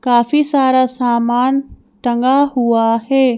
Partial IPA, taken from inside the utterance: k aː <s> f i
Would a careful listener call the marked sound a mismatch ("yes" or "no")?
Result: yes